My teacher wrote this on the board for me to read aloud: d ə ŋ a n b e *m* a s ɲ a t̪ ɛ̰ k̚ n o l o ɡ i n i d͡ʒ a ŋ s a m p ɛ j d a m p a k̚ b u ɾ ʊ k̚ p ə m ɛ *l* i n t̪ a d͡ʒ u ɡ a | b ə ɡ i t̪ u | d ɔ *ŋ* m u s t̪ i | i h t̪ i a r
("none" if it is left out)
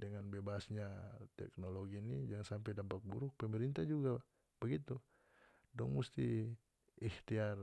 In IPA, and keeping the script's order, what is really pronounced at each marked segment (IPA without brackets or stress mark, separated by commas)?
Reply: b, ɾ, ŋ